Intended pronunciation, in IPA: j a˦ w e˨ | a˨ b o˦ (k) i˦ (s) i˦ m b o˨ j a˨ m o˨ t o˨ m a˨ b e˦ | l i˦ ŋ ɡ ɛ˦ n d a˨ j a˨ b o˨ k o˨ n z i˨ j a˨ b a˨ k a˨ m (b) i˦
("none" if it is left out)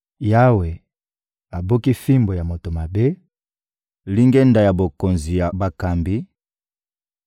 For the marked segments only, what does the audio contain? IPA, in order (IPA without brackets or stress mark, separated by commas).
k, f, b